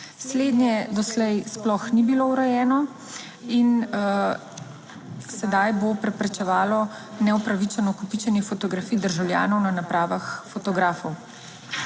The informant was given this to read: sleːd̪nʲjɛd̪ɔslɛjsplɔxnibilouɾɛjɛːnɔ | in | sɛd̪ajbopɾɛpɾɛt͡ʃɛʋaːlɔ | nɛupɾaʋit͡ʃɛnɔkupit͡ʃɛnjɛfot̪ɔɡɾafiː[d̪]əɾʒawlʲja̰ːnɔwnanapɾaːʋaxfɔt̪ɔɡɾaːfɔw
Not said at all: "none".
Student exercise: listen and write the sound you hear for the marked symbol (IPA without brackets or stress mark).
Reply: d̪